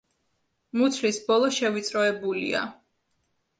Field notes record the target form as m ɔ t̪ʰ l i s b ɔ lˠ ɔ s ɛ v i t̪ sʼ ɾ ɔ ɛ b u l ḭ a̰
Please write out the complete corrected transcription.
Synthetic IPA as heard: m u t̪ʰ l i s b ɔ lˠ ɔ ʃ ɛ v i t̪ sʼ ɾ ɔ ɛ b u l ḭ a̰